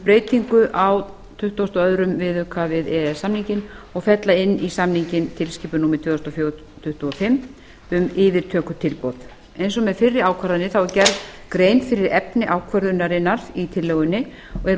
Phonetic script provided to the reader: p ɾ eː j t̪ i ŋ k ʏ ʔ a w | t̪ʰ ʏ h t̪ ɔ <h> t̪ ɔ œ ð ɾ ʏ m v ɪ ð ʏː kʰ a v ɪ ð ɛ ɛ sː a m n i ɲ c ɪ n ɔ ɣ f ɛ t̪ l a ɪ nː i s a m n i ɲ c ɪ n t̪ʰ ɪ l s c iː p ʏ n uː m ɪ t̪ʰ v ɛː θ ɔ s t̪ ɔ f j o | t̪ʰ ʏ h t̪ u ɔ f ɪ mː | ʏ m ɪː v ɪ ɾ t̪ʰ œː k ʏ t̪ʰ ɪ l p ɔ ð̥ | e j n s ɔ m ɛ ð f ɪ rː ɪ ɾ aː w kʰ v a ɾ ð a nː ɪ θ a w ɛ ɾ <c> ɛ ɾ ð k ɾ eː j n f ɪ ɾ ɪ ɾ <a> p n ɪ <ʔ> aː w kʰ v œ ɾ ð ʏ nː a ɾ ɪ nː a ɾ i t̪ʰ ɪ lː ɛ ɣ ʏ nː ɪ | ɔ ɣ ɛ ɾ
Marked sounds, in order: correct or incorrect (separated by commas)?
incorrect, correct, incorrect, correct